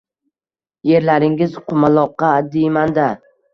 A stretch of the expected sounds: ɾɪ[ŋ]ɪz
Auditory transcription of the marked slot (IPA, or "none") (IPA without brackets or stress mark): ŋ